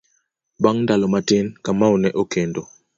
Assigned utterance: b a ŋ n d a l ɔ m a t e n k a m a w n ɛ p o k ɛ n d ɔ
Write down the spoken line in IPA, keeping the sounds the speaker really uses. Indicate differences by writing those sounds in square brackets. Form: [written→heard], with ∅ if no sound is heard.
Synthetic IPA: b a ŋ n d a l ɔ m a t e n k a m a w n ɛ [p→ʔ] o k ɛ n d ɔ